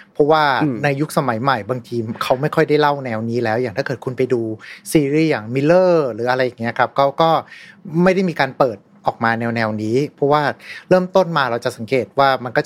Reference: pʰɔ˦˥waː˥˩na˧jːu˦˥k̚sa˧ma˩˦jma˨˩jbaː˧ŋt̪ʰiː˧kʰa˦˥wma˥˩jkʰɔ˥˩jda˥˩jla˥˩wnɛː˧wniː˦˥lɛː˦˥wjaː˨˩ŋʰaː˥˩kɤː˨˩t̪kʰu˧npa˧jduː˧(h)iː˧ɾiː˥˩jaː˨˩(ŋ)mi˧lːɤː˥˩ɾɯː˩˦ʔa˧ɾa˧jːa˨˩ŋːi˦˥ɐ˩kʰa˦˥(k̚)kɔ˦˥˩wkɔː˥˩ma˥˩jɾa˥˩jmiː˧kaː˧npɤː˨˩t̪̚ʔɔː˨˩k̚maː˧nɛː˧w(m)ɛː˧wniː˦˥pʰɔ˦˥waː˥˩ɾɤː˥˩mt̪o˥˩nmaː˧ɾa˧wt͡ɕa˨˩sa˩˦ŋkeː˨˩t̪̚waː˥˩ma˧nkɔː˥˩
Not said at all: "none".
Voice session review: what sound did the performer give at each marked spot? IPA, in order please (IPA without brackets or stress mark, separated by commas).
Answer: s, ŋ, p̚, n